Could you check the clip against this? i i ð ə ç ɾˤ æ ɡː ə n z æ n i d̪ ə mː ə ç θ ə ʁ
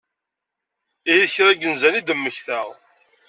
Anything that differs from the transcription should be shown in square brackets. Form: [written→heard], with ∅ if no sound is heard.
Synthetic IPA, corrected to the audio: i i ð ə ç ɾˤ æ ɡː ə n z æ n i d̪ ə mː ə ç θ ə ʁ